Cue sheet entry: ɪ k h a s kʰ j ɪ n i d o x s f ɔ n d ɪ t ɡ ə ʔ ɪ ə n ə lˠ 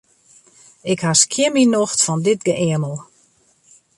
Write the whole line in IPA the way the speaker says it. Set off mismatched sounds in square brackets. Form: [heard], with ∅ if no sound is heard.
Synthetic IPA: ɪ k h a s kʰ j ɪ [m] i [n] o x [t] f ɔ n d ɪ t ɡ ə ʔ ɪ ə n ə lˠ